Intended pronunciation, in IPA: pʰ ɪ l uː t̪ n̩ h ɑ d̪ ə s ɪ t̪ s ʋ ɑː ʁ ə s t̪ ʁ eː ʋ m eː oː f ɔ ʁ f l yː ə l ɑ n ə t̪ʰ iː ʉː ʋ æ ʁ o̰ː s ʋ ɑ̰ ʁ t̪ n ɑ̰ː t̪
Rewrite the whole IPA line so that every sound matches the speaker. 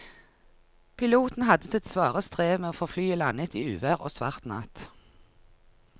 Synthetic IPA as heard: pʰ ɪ l uː t̪ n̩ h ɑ d̪ ə s ɪ t̪ s ʋ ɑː ʁ ə s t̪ ʁ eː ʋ m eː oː f ɔ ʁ f l yː ə l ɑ n ə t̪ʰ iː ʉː ʋ æ ʁ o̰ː s ʋ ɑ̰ ʁ t̪ n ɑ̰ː t̪